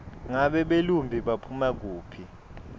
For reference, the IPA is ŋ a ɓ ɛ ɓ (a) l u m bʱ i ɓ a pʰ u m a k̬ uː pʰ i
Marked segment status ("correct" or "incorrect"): incorrect